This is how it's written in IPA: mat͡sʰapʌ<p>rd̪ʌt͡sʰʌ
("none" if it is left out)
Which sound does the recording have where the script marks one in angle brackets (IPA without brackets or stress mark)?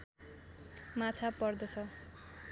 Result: none